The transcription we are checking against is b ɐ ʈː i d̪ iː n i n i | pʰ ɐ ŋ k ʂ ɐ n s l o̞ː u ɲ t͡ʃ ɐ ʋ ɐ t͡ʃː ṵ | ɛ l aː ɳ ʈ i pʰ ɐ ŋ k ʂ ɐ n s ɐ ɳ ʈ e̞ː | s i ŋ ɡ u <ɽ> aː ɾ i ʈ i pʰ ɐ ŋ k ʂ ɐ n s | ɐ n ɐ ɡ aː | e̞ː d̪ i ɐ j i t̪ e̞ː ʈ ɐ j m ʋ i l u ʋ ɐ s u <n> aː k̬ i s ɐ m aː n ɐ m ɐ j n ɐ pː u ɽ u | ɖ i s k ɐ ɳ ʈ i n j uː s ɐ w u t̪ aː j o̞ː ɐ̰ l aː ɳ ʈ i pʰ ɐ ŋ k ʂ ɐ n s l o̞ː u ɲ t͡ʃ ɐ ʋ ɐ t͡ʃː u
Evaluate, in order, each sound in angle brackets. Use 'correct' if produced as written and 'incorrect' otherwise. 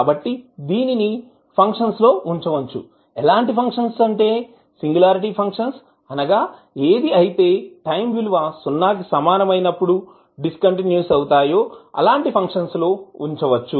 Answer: incorrect: l, incorrect: nː

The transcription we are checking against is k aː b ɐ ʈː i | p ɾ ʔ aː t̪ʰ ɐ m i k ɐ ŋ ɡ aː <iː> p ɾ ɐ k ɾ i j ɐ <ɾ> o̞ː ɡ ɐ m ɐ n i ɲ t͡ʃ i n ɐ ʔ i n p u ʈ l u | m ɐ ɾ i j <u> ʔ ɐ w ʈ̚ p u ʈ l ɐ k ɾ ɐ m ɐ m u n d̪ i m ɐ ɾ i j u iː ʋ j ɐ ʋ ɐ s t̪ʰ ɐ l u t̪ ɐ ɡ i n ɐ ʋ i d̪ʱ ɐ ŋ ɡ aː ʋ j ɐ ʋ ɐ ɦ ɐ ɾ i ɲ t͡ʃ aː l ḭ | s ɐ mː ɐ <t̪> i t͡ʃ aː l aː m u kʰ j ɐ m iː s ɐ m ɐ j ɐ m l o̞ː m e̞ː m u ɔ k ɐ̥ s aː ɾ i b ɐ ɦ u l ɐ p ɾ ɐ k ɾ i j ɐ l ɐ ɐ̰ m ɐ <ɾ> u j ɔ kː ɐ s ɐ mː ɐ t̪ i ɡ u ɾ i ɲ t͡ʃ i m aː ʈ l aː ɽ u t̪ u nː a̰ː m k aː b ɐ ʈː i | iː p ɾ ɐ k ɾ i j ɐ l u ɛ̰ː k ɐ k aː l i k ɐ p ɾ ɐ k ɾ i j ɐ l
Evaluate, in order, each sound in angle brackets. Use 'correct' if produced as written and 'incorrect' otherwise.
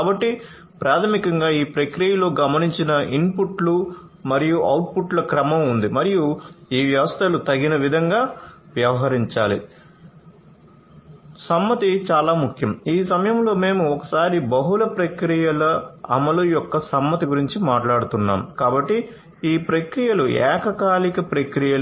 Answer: correct, incorrect: l, correct, correct, incorrect: l

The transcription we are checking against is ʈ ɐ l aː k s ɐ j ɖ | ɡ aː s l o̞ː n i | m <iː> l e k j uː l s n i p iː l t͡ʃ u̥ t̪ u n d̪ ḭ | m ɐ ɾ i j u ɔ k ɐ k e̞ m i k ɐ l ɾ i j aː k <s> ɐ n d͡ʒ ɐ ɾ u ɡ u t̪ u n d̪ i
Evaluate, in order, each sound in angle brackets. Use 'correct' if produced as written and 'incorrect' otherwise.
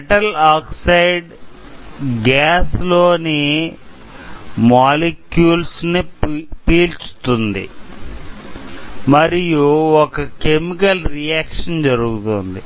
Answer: incorrect: aː, incorrect: ʂ

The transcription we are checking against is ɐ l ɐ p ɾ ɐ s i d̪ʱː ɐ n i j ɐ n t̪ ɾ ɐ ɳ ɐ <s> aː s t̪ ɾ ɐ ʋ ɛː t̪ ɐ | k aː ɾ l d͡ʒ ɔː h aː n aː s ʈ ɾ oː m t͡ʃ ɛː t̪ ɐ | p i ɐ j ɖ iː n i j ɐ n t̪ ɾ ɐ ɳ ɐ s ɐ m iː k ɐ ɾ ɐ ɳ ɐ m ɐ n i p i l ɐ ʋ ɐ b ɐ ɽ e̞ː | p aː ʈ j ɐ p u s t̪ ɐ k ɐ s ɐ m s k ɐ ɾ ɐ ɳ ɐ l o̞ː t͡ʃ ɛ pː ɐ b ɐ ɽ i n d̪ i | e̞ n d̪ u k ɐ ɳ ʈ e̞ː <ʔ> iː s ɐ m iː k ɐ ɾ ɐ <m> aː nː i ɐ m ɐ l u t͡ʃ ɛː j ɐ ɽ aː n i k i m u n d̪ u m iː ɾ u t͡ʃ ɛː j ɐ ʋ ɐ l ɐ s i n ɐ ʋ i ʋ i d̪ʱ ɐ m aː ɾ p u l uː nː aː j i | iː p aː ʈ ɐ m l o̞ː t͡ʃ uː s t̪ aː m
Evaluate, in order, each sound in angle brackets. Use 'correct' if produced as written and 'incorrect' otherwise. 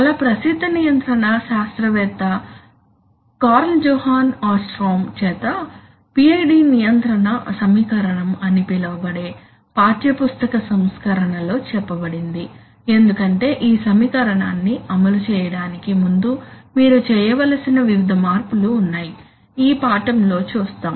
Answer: incorrect: ʃ, correct, incorrect: ɳ

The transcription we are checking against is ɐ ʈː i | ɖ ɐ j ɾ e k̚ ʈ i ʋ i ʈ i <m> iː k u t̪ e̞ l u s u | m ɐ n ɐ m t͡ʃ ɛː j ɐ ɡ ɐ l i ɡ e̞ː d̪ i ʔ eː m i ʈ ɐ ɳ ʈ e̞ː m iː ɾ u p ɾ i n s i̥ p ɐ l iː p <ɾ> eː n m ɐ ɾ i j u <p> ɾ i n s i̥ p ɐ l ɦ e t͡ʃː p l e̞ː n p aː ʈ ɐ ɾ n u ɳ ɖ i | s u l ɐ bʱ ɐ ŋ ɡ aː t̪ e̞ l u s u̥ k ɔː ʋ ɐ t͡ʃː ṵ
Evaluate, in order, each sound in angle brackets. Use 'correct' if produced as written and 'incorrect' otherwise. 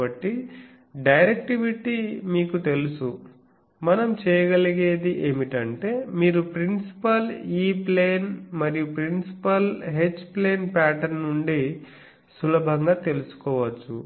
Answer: correct, incorrect: l, correct

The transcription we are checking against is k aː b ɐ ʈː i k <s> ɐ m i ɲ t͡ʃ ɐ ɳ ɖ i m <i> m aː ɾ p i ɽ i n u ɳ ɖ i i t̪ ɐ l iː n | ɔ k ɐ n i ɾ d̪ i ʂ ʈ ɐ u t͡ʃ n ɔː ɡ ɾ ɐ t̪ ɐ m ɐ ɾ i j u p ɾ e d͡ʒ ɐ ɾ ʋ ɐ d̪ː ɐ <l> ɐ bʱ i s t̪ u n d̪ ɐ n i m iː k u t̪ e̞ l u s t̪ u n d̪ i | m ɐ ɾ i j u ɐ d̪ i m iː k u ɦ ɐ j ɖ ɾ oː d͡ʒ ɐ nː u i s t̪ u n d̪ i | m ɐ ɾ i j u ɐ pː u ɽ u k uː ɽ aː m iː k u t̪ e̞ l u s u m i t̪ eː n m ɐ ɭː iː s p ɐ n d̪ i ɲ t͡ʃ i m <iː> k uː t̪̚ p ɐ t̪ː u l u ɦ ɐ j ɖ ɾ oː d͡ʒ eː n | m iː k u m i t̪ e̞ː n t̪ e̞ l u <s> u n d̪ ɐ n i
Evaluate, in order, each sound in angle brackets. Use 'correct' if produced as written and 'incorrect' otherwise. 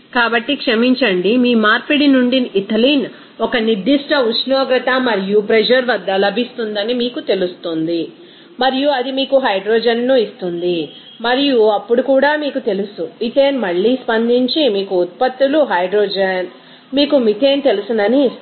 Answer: incorrect: ʂ, incorrect: iː, correct, correct, correct

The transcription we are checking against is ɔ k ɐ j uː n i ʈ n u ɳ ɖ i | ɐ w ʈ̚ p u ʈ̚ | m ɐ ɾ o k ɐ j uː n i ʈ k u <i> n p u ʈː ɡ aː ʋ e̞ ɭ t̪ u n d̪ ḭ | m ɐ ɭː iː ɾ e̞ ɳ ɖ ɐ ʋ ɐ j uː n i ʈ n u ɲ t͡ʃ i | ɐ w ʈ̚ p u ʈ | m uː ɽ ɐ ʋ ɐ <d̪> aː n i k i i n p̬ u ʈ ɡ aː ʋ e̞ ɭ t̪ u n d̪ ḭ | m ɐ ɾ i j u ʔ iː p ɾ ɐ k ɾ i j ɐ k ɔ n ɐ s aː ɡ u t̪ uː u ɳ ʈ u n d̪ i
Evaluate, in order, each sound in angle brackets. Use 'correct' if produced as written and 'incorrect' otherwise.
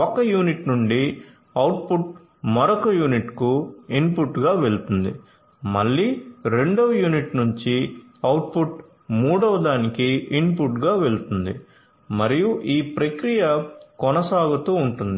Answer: correct, correct

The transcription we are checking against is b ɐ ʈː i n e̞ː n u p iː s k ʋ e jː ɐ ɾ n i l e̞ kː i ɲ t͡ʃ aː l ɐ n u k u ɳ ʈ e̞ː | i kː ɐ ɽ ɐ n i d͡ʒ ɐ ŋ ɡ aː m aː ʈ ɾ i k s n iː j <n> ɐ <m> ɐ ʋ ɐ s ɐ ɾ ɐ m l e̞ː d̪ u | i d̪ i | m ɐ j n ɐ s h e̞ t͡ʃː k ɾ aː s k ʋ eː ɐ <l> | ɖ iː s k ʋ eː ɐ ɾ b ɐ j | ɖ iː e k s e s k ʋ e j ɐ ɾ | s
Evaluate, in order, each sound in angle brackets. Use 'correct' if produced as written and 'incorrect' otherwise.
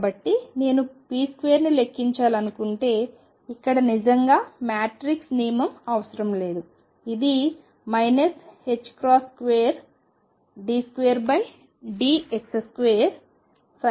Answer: incorrect: m, correct, incorrect: ɾ

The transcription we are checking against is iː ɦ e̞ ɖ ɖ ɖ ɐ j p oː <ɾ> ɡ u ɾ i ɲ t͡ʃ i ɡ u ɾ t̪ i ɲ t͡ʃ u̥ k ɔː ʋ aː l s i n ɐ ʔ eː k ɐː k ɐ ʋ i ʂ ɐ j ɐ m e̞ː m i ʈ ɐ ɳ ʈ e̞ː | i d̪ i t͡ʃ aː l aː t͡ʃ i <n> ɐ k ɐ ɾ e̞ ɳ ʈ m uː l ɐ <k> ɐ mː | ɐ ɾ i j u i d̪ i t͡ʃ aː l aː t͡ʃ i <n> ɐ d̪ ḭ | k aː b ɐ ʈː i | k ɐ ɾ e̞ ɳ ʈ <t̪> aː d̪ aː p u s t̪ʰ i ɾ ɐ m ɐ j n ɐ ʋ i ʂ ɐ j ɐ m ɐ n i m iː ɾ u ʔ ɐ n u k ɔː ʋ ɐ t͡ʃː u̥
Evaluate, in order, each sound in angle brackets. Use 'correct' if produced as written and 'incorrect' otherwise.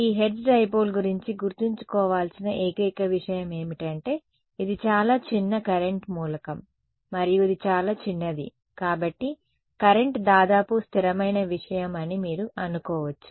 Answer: incorrect: l, incorrect: nː, correct, incorrect: nː, incorrect: d̪

